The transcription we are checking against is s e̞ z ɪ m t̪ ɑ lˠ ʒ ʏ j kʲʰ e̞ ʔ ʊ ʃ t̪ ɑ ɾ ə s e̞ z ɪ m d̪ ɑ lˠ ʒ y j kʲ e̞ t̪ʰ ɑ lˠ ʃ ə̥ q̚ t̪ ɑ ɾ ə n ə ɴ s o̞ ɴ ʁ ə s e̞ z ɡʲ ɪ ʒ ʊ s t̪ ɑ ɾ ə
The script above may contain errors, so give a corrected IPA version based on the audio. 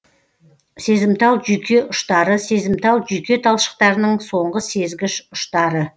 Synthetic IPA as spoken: s e̞ z ɪ m t̪ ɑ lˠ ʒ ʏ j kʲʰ e̞ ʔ ʊ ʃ t̪ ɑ ɾ ə s e̞ z ɪ m t̪ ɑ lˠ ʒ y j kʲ e̞ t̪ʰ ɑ lˠ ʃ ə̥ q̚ t̪ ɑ ɾ ə n ə ɴ s o̞ ɴ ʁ ə s e̞ z ɡʲ ɪ ʃ ʊ ʃ t̪ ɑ ɾ ə